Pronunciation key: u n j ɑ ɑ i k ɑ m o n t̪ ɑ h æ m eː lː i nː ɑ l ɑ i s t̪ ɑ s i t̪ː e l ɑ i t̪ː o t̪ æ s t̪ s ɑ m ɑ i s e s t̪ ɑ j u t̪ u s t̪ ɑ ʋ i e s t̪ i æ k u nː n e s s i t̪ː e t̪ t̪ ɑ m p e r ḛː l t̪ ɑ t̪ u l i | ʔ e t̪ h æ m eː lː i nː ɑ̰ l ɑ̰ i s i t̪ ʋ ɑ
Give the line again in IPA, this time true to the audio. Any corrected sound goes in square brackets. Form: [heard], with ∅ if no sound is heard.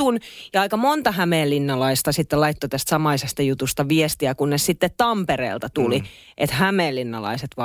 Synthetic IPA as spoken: u n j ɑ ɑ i k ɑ m o n t̪ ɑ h æ m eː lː i nː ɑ l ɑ i s t̪ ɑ s i t̪ː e l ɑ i t̪ː o t̪ æ s t̪ s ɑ m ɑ i s e s t̪ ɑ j u t̪ u s t̪ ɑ ʋ i e s t̪ i æ k u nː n e s s i t̪ː e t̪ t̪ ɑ m p e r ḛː l t̪ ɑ t̪ u l i | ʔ e t̪ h æ m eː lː i nː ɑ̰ l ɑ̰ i s [e] t̪ ʋ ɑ